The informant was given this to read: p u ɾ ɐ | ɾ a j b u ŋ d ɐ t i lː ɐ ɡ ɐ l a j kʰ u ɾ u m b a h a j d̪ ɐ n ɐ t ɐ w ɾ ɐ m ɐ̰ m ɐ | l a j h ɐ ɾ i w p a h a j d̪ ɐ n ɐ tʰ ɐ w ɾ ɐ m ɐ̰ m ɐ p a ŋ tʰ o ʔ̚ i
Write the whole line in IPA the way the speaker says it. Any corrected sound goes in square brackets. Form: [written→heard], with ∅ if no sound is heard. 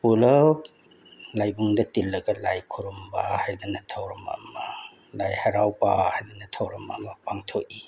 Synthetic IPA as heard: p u [ɾ→l] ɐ | [ɾ→l] a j b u ŋ d ɐ t i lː ɐ ɡ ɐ l a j kʰ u ɾ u m b a h a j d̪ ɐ n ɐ [t→tʰ] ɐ w ɾ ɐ m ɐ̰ m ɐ | l a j h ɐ ɾ [i→a] w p a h a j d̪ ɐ n ɐ tʰ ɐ w ɾ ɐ m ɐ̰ m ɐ p a ŋ tʰ o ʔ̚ i